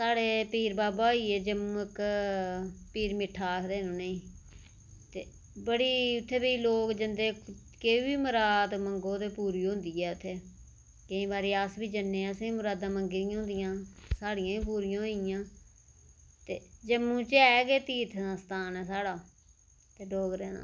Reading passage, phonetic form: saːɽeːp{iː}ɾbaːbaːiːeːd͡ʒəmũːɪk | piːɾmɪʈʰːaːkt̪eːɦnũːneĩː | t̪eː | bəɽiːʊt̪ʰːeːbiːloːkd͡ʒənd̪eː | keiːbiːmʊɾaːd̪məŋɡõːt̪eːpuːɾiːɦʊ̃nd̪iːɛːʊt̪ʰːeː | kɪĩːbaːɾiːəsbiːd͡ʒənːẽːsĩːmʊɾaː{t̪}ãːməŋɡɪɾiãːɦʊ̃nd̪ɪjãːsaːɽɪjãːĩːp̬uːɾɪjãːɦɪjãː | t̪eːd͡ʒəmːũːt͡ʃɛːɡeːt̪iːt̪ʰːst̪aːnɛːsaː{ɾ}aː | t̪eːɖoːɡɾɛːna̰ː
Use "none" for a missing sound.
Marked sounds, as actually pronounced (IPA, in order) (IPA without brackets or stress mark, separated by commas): iː, d̪, ɽ